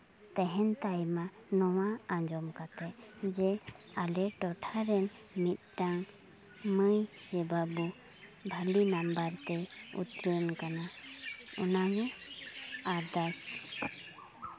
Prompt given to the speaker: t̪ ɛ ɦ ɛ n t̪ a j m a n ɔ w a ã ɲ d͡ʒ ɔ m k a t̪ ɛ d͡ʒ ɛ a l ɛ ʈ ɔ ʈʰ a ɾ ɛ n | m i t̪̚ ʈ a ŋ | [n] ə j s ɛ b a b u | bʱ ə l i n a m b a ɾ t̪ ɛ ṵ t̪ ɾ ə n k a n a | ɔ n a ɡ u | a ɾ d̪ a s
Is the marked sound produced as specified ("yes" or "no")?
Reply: no